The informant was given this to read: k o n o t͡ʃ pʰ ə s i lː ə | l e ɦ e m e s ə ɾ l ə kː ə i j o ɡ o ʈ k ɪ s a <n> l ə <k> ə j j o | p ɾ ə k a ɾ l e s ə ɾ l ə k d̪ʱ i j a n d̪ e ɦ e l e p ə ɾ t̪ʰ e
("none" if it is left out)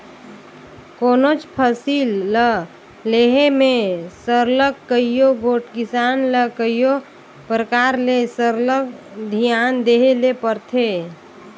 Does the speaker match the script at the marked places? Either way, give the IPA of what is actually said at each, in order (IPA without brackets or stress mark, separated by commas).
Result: n, k